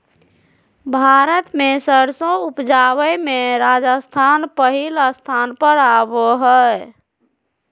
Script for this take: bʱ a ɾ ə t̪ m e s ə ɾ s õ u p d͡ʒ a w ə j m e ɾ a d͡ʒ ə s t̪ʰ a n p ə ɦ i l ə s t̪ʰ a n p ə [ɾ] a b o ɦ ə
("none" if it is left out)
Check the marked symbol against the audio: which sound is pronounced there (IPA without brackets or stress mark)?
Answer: ɾ